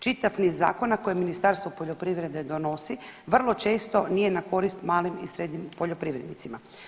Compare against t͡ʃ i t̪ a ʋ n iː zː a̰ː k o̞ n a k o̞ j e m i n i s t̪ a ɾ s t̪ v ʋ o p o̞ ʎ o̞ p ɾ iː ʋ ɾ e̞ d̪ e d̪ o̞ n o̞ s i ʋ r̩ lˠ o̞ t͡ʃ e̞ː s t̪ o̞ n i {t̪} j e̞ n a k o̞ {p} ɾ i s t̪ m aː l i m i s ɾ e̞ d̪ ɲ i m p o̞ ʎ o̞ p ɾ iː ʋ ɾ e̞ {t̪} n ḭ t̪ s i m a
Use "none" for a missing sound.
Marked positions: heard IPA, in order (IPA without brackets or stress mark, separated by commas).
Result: none, none, d̪